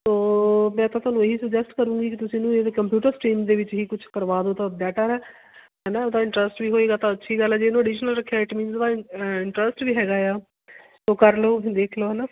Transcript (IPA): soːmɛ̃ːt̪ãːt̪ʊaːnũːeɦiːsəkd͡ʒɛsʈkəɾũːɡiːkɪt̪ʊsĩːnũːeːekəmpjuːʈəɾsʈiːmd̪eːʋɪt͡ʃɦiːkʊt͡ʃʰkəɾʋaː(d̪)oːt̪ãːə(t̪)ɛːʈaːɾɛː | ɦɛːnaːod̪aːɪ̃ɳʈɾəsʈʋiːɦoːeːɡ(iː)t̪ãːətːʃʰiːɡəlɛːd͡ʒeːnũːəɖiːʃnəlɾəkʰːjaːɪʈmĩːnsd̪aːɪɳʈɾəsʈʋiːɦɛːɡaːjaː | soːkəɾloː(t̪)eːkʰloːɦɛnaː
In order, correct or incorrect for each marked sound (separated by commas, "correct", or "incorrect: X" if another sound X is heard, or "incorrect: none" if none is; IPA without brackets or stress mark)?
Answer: correct, incorrect: d̪, incorrect: aː, incorrect: d̪